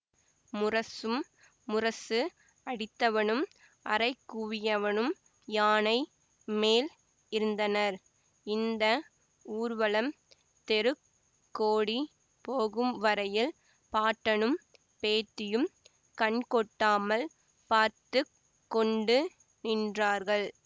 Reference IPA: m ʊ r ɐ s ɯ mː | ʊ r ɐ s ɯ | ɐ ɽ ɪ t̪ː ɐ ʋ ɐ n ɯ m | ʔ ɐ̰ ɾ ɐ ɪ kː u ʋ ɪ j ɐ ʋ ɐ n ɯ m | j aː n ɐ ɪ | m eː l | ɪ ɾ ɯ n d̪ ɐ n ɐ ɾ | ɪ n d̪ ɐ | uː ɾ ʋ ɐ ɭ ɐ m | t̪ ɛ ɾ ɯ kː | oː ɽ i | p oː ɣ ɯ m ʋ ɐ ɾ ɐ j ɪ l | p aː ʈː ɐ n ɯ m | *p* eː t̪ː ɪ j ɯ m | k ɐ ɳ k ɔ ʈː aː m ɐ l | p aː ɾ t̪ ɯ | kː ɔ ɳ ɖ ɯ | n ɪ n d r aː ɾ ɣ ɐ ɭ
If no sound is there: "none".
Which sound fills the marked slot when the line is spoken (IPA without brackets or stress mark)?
p